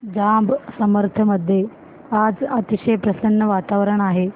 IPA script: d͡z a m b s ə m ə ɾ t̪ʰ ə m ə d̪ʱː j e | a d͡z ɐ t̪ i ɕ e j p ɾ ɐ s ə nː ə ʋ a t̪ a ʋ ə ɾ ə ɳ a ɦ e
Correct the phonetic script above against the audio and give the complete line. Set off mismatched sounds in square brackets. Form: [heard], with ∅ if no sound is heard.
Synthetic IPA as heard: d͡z a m b s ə m ə ɾ t̪ʰ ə m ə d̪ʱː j e | a d͡z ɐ t̪ i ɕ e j p ɾ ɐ s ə nː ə ʋ a t̪ a ʋ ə ɾ ə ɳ a ɦ e